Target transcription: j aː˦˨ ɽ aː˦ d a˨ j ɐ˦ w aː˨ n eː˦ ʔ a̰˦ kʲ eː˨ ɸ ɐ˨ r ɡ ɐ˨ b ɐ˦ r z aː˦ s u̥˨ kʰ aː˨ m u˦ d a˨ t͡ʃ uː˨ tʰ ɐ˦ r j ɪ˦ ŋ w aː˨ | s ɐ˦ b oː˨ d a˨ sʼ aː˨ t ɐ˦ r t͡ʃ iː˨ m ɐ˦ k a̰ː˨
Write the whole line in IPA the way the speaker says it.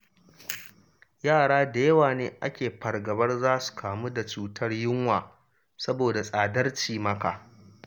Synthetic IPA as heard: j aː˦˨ ɽ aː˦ d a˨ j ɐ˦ w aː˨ n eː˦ ʔ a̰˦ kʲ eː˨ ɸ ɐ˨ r ɡ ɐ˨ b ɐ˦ r z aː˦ s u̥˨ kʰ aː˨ m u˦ d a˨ t͡ʃ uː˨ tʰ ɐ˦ r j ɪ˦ ŋ w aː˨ | s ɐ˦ b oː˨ d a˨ sʼ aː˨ d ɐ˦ r t͡ʃ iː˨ m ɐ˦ k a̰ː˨